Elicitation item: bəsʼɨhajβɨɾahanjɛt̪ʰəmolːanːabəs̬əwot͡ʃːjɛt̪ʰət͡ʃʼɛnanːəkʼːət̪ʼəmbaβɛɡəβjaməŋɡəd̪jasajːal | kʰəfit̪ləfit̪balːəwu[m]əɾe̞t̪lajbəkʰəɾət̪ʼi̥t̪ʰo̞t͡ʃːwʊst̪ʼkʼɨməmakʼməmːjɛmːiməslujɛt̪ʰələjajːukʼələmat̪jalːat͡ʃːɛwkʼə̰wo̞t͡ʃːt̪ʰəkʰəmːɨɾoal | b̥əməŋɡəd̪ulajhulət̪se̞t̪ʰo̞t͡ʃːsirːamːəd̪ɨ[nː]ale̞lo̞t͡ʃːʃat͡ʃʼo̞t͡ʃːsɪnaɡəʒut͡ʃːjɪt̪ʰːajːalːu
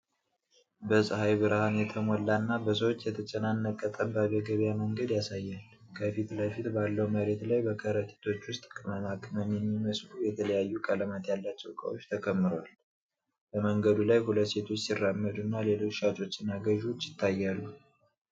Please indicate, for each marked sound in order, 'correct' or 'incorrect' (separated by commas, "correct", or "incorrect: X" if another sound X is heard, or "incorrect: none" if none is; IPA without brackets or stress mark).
correct, correct